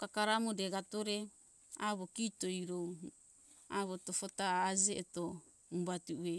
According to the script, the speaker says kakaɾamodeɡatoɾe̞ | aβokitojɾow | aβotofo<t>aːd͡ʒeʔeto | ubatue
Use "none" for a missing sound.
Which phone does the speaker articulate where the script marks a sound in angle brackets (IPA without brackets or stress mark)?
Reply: t